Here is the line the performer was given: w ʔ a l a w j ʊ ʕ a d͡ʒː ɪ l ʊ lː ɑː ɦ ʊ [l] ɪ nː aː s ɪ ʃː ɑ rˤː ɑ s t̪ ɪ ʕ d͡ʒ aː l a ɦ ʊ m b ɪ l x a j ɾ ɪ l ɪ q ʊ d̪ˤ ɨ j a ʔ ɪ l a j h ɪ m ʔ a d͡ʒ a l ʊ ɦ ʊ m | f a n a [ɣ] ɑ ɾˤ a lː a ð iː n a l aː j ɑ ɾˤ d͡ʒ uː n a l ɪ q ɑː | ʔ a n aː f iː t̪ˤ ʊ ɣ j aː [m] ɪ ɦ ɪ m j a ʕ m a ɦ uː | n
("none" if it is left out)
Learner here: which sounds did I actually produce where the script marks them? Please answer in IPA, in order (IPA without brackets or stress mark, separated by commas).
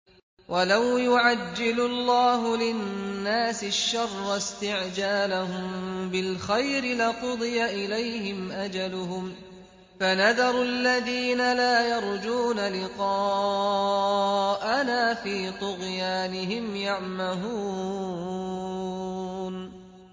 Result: l, ð, n